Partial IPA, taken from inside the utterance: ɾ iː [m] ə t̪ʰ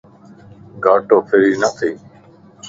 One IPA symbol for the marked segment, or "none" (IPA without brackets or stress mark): n